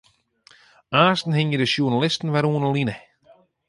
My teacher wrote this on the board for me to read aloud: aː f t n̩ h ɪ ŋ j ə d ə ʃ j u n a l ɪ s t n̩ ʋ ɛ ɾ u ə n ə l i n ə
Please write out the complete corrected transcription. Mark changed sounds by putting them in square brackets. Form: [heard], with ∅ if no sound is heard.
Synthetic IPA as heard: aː [s] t n̩ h ɪ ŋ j ə d ə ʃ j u n a l ɪ s t n̩ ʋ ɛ ɾ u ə n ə l i n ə